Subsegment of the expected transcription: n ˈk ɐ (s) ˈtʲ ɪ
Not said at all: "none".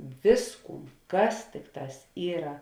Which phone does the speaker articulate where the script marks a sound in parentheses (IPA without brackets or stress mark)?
s